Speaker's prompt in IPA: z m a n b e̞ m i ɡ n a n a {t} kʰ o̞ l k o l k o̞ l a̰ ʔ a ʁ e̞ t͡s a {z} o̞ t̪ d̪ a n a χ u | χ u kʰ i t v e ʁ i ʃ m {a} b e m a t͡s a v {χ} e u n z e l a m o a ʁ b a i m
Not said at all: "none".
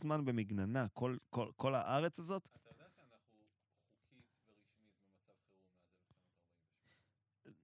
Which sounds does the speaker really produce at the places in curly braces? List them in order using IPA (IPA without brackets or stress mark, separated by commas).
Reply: none, z, i, χ